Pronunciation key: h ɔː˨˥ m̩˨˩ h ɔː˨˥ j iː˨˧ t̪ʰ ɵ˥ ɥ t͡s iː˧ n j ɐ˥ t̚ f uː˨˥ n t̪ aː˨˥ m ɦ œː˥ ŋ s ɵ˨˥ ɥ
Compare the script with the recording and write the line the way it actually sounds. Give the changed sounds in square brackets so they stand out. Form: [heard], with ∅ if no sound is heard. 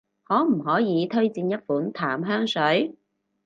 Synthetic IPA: h ɔː˨˥ m̩˨˩ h ɔː˨˥ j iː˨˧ t̪ʰ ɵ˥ ɥ t͡s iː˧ n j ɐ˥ t̚ f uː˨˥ n [t̪ʰ] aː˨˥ m ɦ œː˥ ŋ s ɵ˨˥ ɥ